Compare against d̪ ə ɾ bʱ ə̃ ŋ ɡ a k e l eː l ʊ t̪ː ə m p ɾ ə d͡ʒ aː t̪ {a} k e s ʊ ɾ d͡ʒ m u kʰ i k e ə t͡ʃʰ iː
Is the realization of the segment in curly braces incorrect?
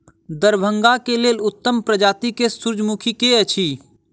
yes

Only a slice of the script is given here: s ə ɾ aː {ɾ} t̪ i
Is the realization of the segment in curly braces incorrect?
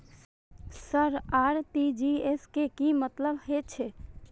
no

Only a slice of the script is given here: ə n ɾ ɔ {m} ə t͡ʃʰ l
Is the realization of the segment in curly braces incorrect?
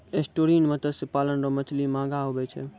no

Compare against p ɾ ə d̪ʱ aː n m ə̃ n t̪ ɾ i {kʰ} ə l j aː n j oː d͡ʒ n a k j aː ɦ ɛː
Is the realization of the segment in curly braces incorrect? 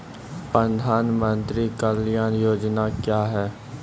yes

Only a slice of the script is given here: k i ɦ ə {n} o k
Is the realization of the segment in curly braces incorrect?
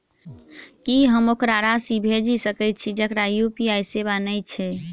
yes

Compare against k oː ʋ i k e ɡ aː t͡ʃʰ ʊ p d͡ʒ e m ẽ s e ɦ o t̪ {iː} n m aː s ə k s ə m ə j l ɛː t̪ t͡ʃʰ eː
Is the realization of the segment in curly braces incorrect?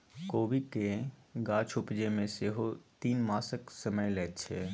no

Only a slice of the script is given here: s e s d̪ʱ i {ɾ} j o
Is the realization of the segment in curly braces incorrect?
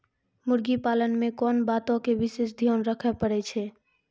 yes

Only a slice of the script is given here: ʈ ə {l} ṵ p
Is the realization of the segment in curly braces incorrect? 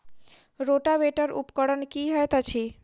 yes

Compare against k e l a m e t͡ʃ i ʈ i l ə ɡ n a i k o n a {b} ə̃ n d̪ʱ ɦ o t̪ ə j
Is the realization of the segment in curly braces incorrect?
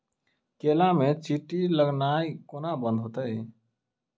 no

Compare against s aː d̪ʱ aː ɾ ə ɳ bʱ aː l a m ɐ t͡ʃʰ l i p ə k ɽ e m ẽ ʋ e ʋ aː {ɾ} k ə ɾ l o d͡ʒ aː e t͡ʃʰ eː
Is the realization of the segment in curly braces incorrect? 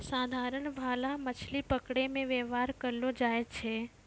no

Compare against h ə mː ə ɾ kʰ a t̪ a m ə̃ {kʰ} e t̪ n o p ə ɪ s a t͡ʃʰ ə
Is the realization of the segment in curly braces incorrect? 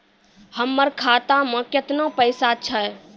yes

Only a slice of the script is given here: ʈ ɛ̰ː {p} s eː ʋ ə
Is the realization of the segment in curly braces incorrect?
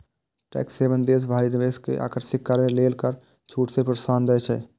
yes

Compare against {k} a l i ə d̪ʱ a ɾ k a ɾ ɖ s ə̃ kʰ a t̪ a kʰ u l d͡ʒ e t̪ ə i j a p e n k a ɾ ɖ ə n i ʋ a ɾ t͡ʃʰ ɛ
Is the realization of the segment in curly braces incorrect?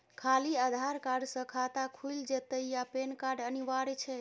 yes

